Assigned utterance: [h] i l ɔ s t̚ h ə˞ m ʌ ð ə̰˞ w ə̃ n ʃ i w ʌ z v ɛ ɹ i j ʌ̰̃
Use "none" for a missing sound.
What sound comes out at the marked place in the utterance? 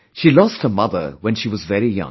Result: ʃ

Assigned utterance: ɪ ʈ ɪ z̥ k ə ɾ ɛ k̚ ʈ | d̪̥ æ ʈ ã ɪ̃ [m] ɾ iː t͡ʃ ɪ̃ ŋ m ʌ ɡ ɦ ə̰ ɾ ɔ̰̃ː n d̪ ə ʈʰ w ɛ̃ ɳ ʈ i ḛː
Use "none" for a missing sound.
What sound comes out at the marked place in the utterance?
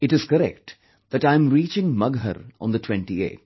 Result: m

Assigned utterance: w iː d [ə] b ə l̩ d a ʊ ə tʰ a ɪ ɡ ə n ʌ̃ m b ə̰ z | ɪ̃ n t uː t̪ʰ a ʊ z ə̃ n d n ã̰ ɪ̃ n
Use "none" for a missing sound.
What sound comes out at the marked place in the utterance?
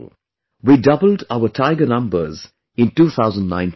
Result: ʌ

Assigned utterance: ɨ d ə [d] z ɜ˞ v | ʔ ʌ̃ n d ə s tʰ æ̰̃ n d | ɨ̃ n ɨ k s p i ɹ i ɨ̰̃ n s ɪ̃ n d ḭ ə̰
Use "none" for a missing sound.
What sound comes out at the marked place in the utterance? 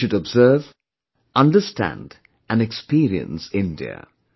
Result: b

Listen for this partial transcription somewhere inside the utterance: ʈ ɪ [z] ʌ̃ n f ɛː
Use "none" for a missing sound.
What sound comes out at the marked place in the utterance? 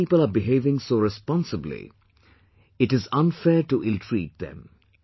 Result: z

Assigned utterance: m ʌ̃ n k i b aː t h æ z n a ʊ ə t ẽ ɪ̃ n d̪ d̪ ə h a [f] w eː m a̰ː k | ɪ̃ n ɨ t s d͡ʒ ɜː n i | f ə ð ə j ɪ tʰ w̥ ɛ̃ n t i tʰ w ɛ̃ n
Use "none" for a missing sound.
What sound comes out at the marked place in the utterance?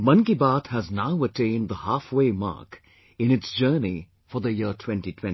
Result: f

